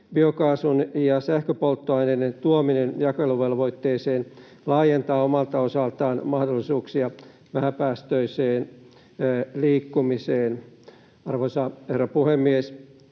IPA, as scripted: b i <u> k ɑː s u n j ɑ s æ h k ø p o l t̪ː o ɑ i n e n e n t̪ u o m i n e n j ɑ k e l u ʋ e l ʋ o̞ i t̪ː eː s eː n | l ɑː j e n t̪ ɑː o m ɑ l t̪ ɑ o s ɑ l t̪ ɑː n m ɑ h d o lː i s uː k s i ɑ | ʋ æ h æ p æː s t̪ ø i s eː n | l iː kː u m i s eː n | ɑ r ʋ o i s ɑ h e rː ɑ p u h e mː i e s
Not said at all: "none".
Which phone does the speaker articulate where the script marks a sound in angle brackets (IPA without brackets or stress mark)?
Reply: o